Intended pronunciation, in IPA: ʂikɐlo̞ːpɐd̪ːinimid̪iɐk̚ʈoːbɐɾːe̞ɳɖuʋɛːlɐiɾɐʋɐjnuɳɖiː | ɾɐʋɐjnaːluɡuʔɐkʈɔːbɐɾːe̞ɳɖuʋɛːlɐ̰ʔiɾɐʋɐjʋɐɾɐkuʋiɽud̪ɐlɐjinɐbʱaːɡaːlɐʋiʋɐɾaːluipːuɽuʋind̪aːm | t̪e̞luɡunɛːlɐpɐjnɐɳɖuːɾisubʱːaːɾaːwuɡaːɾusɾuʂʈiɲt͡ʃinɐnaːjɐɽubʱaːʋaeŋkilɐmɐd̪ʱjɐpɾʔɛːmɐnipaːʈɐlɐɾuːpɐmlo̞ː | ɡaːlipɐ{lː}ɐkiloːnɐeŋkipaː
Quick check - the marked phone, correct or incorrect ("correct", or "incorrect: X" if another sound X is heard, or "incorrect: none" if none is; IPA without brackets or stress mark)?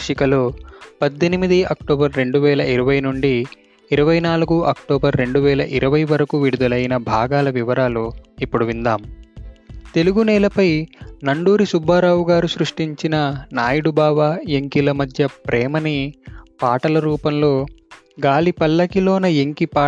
correct